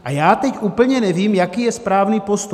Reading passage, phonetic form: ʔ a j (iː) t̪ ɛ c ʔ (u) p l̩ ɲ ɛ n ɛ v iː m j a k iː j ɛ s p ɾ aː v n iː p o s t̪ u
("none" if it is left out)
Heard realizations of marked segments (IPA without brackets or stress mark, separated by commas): aː, uː